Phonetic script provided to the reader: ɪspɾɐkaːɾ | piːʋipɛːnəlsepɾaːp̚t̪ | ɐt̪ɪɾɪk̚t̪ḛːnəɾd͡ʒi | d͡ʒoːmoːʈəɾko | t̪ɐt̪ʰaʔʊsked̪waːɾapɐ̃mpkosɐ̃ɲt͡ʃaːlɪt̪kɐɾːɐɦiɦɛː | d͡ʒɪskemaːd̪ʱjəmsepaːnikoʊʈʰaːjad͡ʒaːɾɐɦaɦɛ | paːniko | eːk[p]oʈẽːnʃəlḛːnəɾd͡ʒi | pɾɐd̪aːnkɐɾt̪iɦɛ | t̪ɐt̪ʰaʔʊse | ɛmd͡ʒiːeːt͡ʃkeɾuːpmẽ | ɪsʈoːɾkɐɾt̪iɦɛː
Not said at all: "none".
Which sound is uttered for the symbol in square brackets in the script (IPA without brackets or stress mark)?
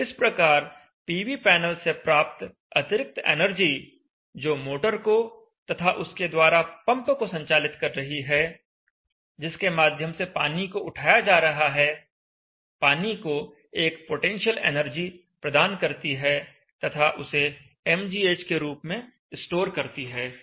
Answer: p